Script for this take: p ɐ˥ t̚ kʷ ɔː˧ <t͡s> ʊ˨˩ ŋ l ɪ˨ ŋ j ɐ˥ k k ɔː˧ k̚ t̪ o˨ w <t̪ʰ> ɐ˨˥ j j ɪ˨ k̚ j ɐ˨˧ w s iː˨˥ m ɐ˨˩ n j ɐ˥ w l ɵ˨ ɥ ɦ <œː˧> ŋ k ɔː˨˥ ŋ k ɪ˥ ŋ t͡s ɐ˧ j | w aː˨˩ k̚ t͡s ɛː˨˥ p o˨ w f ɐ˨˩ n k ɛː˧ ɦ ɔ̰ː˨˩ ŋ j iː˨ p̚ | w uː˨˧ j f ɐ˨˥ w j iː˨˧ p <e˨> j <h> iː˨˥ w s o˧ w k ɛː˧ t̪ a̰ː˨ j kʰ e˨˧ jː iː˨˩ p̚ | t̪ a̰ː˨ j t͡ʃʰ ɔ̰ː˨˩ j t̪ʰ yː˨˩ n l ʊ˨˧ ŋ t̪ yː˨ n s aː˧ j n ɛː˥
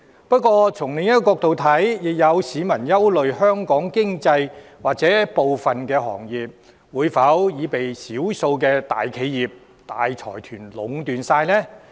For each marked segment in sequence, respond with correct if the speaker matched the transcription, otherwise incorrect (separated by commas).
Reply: incorrect, correct, incorrect, correct, incorrect